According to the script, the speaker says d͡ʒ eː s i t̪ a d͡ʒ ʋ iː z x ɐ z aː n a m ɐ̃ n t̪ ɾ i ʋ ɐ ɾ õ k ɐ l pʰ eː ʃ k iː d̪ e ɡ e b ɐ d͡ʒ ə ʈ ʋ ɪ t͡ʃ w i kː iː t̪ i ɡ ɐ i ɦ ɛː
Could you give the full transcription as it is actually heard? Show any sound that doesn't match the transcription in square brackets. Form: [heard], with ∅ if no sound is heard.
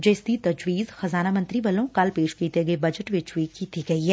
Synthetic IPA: d͡ʒ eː s i t̪ [ɐ] d͡ʒ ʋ iː z x ɐ z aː n a m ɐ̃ n t̪ ɾ i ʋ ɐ [l] õ k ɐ l [p] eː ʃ k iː [t̪] e ɡ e b ɐ d͡ʒ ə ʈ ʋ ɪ t͡ʃ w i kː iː t̪ i ɡ ɐ i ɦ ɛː